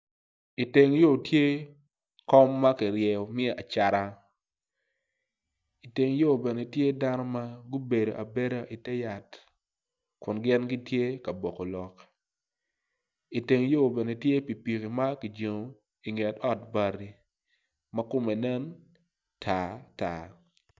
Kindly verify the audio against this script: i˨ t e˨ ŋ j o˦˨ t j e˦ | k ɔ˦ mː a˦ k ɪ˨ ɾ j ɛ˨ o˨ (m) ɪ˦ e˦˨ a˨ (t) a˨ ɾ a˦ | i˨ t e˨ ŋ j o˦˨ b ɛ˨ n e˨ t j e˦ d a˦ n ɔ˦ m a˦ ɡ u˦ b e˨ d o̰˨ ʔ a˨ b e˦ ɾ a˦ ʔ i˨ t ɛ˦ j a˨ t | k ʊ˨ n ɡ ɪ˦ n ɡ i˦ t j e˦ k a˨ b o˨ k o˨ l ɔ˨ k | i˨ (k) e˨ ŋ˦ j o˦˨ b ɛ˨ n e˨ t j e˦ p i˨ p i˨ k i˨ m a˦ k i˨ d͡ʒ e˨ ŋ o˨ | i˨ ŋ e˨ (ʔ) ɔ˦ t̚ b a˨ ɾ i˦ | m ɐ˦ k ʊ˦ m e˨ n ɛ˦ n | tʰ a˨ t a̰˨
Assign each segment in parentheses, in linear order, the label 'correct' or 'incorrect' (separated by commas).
correct, incorrect, incorrect, incorrect